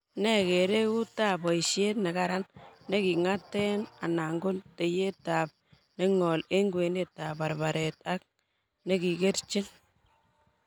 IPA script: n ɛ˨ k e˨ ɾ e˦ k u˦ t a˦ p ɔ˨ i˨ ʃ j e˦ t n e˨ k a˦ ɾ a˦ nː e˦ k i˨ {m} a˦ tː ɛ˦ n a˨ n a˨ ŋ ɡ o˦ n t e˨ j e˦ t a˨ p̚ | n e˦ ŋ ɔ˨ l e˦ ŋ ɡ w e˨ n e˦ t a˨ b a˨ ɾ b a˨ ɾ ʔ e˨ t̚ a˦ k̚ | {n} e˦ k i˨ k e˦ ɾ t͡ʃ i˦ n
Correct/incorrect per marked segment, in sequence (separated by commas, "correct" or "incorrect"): incorrect, correct